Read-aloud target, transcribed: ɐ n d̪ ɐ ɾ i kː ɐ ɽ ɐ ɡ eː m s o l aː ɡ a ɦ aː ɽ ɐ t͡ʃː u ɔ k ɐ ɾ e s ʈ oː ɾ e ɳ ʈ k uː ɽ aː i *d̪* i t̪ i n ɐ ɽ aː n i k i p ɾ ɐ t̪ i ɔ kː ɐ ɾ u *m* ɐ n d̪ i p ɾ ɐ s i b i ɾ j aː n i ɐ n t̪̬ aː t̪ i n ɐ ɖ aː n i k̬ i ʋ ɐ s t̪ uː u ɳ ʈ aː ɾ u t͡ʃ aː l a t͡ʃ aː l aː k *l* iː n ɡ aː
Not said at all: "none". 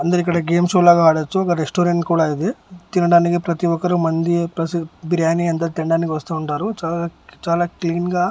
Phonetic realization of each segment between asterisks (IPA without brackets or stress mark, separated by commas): d̪, m, l